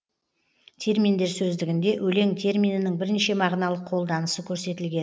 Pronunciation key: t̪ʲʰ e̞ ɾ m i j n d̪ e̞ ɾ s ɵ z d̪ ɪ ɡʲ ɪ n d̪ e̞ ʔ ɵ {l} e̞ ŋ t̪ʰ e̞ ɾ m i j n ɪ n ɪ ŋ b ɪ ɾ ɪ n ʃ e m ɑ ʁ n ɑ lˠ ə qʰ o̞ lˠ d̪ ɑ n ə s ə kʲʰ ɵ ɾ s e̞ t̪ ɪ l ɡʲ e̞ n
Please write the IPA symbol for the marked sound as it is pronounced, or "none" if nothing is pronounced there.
l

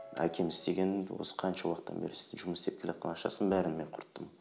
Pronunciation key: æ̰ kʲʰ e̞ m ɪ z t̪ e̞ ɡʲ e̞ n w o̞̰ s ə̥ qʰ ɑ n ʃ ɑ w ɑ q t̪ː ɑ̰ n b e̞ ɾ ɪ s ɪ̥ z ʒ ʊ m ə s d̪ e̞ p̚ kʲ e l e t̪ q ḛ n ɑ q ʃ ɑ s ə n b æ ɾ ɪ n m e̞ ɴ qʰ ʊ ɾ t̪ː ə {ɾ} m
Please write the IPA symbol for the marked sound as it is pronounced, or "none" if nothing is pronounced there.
none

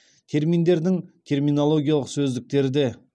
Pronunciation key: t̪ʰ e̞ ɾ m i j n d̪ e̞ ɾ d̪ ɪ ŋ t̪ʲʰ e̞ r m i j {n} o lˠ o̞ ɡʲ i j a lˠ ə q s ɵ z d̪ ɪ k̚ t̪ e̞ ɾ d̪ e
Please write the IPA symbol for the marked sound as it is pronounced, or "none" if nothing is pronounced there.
n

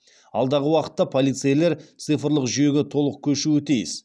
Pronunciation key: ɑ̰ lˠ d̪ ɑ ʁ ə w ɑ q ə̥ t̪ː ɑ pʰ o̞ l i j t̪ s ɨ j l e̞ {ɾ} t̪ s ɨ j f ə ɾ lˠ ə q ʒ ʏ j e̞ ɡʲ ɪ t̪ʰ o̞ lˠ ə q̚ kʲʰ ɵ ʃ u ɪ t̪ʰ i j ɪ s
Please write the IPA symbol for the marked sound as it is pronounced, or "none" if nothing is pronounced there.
ɾ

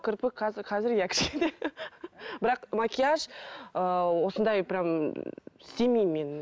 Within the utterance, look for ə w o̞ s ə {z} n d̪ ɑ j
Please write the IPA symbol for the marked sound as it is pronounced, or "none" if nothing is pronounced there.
none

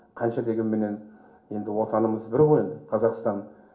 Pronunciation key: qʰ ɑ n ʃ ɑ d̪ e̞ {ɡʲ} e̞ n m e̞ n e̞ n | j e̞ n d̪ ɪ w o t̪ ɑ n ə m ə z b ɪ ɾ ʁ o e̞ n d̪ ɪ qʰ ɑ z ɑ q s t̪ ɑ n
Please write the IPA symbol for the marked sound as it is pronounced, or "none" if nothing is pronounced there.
ɡʲ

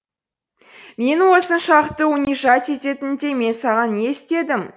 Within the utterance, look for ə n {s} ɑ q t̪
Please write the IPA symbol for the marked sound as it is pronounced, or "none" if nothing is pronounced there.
ʃ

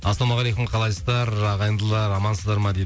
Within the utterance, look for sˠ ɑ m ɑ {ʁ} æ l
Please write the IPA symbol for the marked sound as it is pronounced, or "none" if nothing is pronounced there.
ʁ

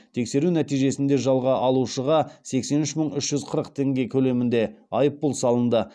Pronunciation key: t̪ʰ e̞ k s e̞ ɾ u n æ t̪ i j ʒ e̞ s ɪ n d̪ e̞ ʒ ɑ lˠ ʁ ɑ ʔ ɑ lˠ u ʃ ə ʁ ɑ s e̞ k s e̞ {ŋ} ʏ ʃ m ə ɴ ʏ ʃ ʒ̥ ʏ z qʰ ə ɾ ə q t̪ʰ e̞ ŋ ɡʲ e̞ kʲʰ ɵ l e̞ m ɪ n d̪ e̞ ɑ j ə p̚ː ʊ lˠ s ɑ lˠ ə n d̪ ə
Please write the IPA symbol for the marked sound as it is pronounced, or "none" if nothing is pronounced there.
n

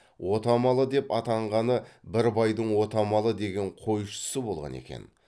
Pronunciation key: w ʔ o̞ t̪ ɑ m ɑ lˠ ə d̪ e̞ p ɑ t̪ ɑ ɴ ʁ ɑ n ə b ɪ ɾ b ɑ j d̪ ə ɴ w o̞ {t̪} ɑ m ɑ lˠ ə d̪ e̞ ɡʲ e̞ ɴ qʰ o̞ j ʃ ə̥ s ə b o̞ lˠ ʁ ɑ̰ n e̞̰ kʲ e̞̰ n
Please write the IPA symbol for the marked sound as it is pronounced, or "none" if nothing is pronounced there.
t̪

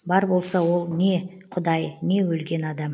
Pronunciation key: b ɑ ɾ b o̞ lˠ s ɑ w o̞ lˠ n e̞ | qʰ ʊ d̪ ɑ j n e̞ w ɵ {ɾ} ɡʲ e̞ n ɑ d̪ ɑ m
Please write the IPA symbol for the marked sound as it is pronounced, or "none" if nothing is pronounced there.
l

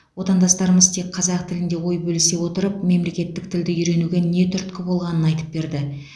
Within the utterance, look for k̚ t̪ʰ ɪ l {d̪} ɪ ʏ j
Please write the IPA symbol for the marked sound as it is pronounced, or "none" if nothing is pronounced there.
d̪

